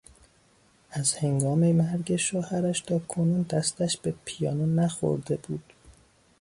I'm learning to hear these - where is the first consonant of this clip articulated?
tongue tip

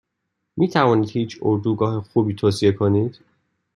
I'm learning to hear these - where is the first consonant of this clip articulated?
lips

